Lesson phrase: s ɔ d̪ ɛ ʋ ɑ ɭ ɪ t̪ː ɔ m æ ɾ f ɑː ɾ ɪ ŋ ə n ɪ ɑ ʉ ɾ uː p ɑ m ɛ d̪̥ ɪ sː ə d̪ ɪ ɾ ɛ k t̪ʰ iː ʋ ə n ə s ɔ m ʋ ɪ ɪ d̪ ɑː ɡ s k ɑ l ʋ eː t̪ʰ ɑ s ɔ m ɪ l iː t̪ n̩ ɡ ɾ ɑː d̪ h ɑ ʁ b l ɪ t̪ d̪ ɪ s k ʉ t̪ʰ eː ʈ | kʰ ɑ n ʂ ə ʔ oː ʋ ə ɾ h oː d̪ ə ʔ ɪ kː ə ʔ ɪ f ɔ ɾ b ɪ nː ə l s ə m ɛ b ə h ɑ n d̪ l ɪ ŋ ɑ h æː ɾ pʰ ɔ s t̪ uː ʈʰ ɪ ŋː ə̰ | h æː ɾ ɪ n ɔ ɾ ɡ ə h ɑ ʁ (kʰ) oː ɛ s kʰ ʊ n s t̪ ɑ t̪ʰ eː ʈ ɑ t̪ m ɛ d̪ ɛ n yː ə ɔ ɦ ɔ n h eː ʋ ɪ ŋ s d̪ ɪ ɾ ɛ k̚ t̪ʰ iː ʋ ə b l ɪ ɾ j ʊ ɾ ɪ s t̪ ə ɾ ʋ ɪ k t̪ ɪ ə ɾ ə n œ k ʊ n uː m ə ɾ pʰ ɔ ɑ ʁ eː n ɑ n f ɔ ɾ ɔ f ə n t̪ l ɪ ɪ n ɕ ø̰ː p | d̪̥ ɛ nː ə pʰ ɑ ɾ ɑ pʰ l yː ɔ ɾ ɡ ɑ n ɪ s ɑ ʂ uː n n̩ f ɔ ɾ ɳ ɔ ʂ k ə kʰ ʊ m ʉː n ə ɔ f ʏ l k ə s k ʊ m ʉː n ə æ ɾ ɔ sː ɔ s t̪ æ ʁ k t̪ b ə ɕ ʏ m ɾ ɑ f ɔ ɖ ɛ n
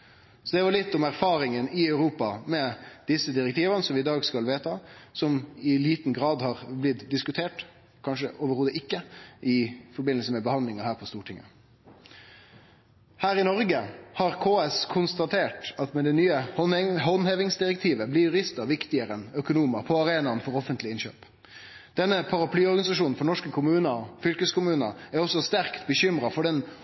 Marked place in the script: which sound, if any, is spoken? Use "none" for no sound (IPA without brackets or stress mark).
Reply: kʰ